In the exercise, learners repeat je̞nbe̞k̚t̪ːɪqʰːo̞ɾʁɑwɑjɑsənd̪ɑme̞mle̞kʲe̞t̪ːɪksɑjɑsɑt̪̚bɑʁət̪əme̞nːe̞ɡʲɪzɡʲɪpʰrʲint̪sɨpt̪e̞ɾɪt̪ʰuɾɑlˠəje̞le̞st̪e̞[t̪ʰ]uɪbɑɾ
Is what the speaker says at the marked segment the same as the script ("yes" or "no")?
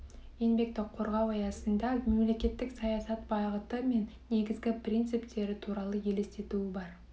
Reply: no